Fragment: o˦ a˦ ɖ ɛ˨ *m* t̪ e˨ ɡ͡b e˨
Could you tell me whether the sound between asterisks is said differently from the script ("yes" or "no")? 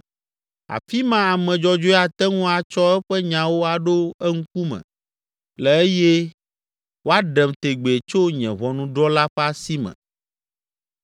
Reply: no